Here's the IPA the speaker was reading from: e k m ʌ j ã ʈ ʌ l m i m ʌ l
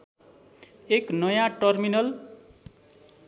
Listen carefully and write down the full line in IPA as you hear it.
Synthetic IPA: e k n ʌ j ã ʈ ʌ r m i n ʌ l